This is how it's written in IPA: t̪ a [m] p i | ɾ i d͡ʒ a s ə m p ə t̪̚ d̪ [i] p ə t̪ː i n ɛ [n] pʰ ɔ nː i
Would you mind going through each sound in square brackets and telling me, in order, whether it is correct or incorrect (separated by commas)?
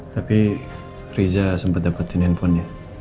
incorrect, incorrect, correct